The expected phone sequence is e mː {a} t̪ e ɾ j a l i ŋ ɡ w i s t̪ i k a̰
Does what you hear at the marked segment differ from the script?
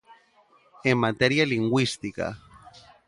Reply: no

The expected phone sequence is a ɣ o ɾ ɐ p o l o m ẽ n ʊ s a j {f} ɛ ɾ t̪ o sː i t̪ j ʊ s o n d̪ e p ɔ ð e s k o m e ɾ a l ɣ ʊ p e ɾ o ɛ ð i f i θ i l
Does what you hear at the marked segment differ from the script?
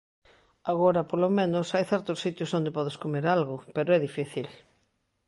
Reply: yes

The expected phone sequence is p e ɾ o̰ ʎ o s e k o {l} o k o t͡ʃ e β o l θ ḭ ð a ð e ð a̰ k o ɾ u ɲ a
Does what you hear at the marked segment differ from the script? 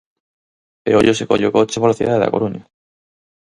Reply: yes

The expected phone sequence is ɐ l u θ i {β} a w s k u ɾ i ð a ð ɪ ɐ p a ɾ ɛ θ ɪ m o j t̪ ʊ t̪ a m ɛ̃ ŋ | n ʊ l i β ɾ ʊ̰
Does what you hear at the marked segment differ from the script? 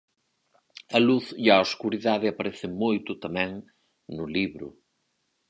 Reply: yes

